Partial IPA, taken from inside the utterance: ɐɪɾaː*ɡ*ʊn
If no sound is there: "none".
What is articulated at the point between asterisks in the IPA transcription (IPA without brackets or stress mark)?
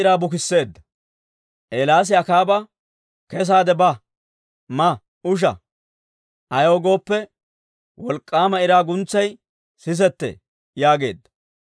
ɡ